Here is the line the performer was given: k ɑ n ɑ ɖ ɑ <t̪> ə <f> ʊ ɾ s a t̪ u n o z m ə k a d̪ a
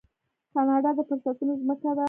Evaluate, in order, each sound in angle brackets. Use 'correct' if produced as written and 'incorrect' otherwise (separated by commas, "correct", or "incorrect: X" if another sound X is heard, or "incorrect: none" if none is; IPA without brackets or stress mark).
incorrect: d̪, correct